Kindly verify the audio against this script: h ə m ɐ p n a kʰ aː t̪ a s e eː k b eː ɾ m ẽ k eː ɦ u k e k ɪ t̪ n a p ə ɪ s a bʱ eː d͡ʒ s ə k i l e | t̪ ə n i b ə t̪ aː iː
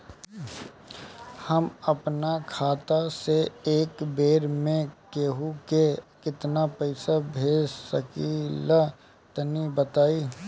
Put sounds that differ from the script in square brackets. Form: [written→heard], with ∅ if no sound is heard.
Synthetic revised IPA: h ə m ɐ p n a kʰ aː t̪ a s e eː k b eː ɾ m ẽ k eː ɦ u k e k ɪ t̪ n a p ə ɪ s a bʱ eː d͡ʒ s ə k i l [e→a] | t̪ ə n i b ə t̪ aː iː